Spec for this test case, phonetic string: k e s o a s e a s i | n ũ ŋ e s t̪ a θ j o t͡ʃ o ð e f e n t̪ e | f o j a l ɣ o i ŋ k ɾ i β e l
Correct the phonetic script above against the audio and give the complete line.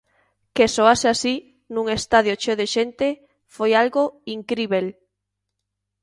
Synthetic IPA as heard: k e s o a s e a s i | n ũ ŋ e s t̪ a ð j o t͡ʃ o ð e ʃ e n t̪ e | f o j a l ɣ o i ŋ k ɾ i β e l